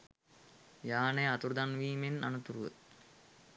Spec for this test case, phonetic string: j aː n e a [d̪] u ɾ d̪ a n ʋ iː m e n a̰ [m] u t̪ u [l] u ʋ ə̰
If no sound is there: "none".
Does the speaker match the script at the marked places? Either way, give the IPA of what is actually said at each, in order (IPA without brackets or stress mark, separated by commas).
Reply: t̪, n, ɾ